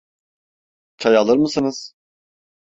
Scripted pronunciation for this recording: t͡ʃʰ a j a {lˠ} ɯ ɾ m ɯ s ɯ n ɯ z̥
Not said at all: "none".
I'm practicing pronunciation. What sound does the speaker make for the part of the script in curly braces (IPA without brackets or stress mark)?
lˠ